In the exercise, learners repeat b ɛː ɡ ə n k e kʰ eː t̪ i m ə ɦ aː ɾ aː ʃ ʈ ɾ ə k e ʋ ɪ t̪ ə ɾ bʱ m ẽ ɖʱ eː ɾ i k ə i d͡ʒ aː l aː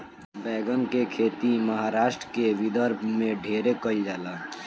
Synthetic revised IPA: b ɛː ɡ ə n k e kʰ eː t̪ i m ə ɦ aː ɾ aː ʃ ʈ ɾ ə k e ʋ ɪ d̪ ə ɾ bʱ m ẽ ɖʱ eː ɾ e k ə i d͡ʒ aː l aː